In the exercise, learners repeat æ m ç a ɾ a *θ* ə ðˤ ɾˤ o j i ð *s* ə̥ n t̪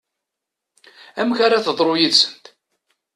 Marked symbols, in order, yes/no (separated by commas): yes, yes